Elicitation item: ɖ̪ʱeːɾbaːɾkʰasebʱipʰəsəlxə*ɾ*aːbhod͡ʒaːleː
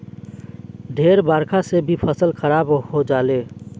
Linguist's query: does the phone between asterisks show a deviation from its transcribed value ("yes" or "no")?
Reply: no